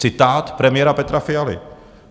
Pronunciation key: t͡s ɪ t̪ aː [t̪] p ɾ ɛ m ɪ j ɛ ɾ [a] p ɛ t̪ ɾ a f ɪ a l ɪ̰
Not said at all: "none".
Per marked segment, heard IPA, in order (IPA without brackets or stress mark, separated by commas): t̪, a